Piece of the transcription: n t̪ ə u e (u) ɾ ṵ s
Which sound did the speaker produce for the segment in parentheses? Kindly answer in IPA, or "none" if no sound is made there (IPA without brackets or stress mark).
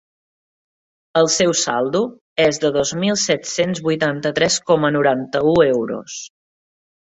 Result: w